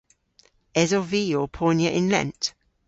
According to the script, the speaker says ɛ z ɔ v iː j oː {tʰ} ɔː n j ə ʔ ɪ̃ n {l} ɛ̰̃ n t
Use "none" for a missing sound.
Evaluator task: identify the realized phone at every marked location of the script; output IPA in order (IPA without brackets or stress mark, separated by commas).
pʰ, l